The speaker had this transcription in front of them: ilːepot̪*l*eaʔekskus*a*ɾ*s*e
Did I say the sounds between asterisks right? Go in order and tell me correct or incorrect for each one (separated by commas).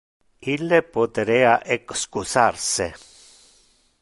incorrect, correct, correct